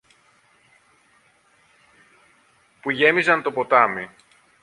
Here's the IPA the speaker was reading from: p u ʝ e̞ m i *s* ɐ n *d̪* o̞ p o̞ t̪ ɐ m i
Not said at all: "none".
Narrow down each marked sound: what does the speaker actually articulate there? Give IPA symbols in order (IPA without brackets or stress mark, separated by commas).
z, t̪